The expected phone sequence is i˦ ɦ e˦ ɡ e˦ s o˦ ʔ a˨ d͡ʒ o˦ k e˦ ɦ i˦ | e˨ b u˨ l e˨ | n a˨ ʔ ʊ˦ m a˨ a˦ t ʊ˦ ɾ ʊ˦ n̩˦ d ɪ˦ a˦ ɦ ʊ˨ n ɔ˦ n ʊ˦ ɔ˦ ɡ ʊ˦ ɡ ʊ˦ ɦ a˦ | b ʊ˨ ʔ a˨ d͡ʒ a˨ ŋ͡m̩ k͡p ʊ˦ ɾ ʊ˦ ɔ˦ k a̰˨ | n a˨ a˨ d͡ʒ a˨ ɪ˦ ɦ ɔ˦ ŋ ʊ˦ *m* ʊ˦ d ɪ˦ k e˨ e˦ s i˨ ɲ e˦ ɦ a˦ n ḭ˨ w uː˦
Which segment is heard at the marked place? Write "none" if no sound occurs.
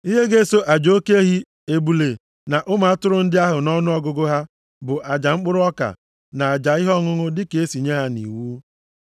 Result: ŋ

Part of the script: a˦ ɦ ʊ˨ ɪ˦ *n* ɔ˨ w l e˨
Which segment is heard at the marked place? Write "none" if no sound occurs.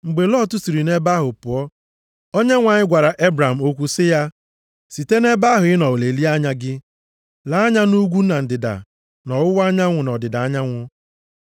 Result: n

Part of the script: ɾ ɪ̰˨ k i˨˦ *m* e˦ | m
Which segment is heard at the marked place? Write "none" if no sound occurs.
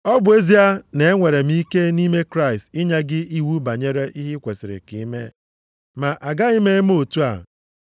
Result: m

